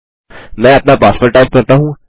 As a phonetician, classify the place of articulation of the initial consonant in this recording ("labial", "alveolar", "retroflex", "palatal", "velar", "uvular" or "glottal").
labial